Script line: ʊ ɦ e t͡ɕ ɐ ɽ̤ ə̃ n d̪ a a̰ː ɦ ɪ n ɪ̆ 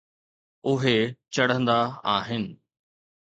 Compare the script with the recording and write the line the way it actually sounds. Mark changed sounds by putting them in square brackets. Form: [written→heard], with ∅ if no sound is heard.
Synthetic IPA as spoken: ʊ ɦ e t͡ɕ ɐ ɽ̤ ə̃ n d̪ a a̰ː ɦ ɪ n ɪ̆